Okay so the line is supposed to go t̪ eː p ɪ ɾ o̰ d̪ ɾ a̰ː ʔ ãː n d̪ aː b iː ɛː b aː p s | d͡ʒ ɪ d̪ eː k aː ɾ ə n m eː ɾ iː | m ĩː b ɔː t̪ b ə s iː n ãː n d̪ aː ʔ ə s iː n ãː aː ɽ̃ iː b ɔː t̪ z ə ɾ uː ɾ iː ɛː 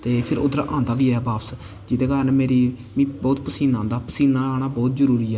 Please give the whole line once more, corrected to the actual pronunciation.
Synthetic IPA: t̪ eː pʰ ɪ ɾ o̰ d̪ ɾ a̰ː ʔ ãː n d̪ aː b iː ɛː b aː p s | d͡ʒ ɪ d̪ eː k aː ɾ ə n m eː ɾ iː | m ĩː b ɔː t̪ p ə s iː n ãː n d̪ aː p ə s iː n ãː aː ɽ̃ aː b ɔː t̪ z ə ɾ uː ɾ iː ɛː